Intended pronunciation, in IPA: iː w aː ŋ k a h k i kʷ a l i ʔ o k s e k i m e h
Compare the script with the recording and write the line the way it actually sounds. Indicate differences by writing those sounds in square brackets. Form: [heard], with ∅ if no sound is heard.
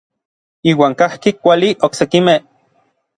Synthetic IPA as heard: iː w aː ŋ k a h k i kʷ a l i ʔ o k s e k i m e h